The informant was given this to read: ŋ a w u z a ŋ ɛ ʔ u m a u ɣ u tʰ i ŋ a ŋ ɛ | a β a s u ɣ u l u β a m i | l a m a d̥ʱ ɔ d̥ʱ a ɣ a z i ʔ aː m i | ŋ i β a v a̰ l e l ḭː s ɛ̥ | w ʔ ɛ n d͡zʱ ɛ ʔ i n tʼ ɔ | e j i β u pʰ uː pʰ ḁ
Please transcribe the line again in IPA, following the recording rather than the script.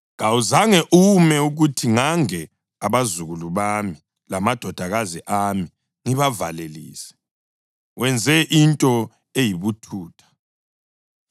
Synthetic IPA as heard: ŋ a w u z a ŋ ɛ ʔ u m ɛ u ɣ u tʰ i ŋ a ŋ ɛ | a β a z u ɣ u l u β a m i | l a m a d̥ʱ ɔ d̥ʱ a ɣ a z i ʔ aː m i | ŋ i β a v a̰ l e l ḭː s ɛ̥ | w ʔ ɛ n d͡zʱ ɛ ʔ i n tʼ ɔ | e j i β u tʰ uː tʰ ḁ